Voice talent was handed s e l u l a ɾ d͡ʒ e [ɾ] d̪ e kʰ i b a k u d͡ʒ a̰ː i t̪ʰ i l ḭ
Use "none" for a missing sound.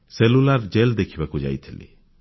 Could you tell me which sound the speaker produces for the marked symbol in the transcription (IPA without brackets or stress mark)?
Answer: l